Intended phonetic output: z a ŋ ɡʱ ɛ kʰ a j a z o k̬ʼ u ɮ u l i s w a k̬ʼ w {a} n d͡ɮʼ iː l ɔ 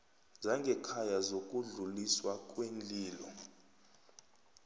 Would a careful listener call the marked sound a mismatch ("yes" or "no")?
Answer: yes